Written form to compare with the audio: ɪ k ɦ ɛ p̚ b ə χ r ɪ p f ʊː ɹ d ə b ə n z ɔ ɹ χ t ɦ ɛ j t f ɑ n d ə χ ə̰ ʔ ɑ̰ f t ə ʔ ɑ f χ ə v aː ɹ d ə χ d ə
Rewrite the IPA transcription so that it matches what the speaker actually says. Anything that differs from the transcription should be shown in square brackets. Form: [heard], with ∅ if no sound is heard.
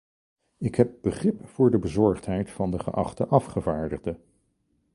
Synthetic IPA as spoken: ɪ k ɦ ɛ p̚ b ə χ r ɪ p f ʊː ɹ d ə b ə [∅] z ɔ ɹ χ t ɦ ɛ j t f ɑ n d ə χ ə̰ ʔ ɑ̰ [χ] t ə ʔ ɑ f χ ə v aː ɹ d ə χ d ə